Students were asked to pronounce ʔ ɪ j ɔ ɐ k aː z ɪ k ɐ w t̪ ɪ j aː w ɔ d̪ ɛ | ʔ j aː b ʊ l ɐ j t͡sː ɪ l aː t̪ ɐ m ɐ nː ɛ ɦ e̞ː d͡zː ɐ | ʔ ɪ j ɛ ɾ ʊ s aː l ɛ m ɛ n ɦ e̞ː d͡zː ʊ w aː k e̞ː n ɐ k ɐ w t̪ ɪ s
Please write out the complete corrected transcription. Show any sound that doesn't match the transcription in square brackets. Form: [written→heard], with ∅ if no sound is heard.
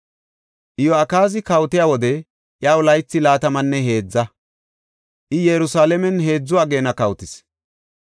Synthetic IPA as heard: ʔ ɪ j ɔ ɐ k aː z ɪ k ɐ w t̪ ɪ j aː w ɔ d̪ ɛ | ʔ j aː [b→w] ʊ l ɐ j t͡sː ɪ l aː t̪ ɐ m ɐ nː ɛ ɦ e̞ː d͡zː ɐ | ʔ ɪ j ɛ ɾ ʊ s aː l ɛ m ɛ n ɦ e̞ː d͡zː ʊ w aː [k→ɡ] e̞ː n ɐ k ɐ w t̪ ɪ s